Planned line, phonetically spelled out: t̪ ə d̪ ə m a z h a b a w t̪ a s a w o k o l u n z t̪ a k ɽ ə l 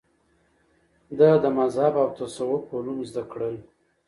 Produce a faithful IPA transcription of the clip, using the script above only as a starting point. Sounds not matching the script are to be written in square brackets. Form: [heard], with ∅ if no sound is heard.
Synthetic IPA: [d̪] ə d̪ ə m a z h a b a w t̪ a s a w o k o l u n z [d̪] a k ɽ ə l